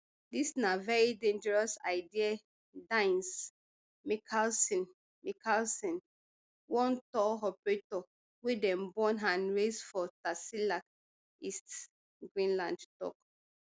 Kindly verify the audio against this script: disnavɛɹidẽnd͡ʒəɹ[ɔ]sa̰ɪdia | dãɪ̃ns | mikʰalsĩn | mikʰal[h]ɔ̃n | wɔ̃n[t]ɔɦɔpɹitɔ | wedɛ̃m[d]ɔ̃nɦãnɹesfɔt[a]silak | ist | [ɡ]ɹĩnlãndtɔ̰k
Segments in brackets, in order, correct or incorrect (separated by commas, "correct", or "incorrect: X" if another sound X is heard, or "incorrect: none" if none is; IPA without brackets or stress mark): correct, incorrect: s, correct, incorrect: b, correct, correct